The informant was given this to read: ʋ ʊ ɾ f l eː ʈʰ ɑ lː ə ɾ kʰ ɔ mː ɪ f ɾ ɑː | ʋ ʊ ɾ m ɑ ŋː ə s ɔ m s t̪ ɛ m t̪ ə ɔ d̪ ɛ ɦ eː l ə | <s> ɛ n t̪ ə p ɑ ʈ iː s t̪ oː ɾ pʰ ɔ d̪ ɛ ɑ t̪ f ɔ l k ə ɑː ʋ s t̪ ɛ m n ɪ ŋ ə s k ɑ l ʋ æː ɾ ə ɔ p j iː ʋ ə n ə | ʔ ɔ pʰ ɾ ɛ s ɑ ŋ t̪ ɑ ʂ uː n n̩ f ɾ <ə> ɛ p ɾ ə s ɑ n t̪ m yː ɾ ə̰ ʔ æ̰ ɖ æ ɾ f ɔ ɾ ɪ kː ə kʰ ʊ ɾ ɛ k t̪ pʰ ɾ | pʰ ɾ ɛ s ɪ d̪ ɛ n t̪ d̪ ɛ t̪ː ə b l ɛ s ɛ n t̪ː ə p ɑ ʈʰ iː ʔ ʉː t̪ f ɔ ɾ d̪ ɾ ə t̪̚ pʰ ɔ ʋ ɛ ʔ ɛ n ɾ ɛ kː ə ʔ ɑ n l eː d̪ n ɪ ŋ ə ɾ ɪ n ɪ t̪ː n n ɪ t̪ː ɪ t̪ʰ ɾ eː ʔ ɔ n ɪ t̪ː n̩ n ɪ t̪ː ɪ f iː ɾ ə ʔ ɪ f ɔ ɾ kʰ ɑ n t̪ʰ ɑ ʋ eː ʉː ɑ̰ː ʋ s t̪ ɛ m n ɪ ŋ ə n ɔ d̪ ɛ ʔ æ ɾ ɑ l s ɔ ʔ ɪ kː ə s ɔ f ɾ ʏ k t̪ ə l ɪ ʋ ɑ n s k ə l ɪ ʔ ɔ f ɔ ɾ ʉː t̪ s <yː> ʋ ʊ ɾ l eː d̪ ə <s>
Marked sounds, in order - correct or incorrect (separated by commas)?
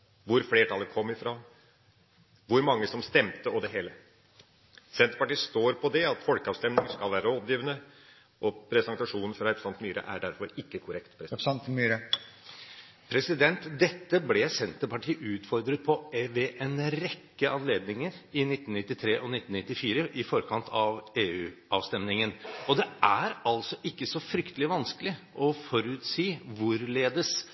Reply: correct, incorrect, incorrect, correct